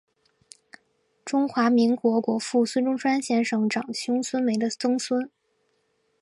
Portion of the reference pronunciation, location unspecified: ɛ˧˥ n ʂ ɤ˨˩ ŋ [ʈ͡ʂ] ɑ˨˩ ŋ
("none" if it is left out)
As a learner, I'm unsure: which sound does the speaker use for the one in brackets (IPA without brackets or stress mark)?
ʈ͡ʂ